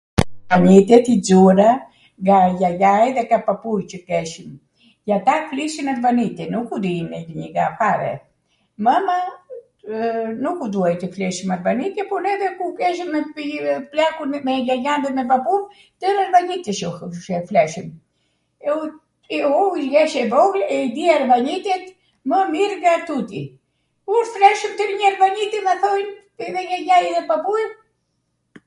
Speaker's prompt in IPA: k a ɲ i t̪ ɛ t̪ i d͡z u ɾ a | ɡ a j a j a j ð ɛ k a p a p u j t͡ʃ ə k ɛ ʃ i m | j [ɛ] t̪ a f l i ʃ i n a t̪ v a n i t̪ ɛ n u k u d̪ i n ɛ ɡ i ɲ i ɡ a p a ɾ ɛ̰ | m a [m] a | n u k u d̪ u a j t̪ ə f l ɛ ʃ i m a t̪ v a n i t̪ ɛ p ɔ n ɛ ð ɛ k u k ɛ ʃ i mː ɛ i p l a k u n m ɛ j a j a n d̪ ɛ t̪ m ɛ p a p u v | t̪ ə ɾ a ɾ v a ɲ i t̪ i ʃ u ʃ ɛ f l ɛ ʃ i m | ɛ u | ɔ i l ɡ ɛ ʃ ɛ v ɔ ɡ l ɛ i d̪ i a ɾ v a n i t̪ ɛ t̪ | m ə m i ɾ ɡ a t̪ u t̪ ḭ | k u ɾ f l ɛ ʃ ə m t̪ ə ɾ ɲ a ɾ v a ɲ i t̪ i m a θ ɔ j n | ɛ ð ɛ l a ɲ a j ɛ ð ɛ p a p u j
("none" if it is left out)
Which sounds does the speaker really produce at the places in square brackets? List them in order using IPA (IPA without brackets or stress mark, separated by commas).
a, m